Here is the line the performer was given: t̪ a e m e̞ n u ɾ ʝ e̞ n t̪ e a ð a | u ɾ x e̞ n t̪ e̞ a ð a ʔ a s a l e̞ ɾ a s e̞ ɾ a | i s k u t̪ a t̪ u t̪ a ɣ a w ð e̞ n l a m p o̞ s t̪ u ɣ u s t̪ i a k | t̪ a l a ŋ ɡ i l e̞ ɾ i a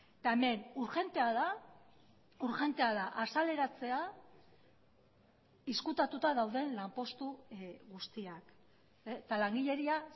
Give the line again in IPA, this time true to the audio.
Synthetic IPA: t̪ a e m e̞ n u ɾ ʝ e̞ n t̪ e a ð a | u ɾ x e̞ n t̪ e̞ a ð a ʔ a s a l e̞ ɾ a t͡s e̞ a | i s k u t̪ a t̪ u t̪ a ð a w ð e̞ n l a m p o̞ s t̪ u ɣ u s t̪ i a k | t̪ a l a ŋ ɡ i ʎ e̞ ɾ i a